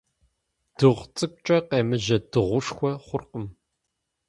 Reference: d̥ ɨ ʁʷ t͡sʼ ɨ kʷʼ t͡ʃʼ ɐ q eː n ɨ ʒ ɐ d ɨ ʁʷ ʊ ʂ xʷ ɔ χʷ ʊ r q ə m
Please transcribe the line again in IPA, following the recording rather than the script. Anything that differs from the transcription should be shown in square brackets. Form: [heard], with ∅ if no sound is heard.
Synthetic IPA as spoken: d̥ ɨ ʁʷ t͡sʼ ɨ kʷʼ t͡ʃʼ ɐ q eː [m] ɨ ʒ ɐ d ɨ ʁʷ ʊ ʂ xʷ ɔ χʷ ʊ r q ə m